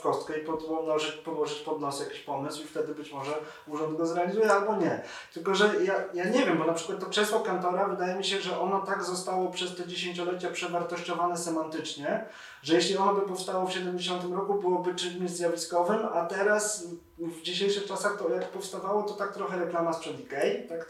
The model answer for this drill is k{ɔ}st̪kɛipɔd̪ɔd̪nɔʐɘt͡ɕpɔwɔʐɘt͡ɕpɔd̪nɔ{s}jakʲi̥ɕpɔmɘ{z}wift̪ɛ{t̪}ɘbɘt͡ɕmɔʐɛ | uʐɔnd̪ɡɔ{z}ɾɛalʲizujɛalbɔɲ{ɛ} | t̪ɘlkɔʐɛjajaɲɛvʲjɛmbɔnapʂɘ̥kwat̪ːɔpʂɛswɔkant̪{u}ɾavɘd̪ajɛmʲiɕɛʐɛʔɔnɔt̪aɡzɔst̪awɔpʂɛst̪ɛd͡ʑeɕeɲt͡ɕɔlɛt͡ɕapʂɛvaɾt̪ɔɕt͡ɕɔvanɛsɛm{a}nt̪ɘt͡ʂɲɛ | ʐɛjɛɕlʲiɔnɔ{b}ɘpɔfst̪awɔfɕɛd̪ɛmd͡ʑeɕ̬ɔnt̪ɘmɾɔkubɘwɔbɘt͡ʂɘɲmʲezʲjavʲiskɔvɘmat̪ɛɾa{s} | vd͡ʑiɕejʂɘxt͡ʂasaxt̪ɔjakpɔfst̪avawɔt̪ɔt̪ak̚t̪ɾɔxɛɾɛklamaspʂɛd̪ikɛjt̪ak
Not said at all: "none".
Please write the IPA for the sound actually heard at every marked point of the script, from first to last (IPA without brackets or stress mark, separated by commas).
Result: ɔ, s, s, d̪, z, ɛ, ɔ, a, b, s